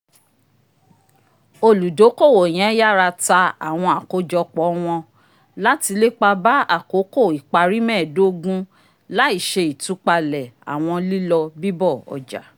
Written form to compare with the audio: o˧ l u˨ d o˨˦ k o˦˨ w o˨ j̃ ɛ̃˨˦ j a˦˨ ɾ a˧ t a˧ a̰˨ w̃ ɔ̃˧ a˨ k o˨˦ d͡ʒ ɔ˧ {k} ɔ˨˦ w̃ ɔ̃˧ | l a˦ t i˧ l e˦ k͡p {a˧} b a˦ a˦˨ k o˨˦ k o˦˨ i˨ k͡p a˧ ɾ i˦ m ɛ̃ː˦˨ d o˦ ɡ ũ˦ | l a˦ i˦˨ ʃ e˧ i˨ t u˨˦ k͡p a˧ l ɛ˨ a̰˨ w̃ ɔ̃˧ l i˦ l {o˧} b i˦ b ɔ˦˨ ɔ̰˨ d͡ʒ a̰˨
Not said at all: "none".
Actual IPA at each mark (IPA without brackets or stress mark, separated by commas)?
k͡p, a˧, ɔ˧